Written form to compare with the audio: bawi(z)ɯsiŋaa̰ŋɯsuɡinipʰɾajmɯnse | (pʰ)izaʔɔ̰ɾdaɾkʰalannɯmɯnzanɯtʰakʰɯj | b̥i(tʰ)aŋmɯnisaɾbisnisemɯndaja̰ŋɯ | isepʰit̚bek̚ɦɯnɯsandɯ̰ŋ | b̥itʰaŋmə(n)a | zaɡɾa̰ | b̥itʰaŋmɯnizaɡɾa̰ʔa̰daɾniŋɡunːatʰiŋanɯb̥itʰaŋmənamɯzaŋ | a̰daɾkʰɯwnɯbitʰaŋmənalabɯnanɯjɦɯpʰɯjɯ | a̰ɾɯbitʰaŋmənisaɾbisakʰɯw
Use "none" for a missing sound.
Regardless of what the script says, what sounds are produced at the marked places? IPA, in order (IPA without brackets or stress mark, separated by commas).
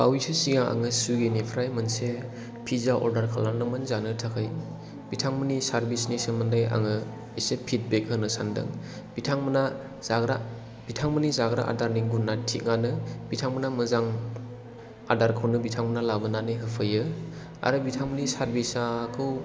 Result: s, pʰ, tʰ, n